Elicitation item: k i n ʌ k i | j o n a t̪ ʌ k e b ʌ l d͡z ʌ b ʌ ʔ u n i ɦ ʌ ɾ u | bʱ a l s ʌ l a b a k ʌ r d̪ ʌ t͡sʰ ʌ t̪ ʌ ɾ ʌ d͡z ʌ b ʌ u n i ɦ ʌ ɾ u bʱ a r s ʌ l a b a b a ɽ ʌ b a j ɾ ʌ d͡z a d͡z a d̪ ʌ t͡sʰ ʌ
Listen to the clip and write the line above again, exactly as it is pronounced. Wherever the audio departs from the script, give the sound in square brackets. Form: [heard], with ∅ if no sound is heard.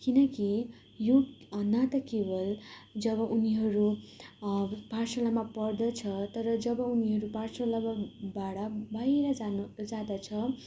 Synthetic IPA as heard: k i n ʌ k i | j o n a t̪ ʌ k e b ʌ l d͡z ʌ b ʌ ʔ u n i ɦ ʌ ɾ u | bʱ a [r] s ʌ l a [m] a [p] ʌ r d̪ ʌ t͡sʰ ʌ t̪ ʌ ɾ ʌ d͡z ʌ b ʌ u n i ɦ ʌ ɾ u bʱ a r s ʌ l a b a b a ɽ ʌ b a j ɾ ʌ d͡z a d͡z a d̪ ʌ t͡sʰ ʌ